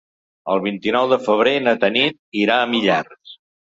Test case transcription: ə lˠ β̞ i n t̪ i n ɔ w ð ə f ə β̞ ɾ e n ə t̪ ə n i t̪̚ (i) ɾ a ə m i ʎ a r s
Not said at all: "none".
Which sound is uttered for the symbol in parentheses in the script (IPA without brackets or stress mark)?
i